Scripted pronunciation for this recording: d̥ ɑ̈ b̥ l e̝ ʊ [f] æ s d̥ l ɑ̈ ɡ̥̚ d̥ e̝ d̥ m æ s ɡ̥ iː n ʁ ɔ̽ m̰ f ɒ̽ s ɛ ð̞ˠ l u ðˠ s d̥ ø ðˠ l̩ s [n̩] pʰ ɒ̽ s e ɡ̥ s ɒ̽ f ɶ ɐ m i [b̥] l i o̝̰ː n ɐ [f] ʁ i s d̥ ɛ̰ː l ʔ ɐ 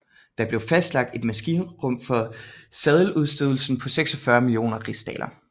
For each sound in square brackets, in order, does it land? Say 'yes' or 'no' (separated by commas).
yes, yes, no, no